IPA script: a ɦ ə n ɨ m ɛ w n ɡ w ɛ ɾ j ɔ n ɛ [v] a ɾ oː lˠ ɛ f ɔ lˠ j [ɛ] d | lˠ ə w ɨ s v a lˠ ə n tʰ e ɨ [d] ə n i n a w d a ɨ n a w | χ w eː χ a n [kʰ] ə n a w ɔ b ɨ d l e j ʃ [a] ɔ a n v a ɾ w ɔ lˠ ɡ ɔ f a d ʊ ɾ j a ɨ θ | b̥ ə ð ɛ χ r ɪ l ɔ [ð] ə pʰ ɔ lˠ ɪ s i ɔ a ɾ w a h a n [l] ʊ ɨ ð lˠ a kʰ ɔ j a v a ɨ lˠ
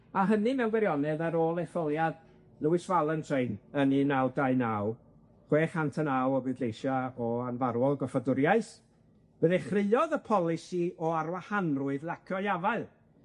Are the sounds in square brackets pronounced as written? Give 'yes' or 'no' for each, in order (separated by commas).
no, no, no, no, yes, yes, no